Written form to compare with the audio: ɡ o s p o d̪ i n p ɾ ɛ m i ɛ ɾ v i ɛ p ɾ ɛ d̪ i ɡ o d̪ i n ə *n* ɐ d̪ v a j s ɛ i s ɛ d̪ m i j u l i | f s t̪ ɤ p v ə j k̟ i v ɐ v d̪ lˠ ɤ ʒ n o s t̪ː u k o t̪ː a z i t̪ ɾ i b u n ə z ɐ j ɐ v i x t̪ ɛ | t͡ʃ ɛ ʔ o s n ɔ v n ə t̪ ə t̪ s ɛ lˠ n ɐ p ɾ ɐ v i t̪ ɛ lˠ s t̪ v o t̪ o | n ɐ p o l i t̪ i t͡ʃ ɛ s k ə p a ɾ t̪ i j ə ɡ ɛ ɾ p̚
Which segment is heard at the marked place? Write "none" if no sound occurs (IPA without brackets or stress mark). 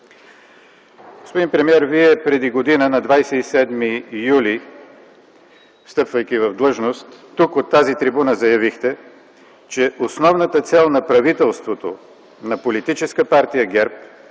n